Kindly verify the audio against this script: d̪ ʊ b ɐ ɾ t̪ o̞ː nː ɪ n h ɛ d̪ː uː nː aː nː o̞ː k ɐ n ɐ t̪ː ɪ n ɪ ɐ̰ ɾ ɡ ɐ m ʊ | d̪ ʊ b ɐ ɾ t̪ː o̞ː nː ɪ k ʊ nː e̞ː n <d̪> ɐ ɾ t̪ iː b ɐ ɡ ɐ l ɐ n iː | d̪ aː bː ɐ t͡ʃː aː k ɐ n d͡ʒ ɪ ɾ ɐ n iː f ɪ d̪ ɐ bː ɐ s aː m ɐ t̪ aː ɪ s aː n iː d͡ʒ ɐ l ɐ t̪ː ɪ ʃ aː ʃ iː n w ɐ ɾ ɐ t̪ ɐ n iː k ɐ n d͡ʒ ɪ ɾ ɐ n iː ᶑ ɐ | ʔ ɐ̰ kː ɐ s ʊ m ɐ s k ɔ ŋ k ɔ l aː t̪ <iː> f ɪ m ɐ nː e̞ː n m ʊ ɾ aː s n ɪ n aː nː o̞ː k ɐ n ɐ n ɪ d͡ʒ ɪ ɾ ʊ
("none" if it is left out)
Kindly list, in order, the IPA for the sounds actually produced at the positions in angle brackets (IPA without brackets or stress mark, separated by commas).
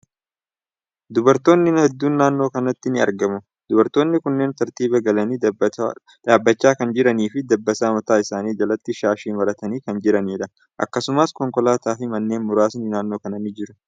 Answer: t̪, aː